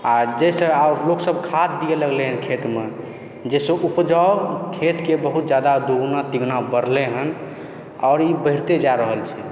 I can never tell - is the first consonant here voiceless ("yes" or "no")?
no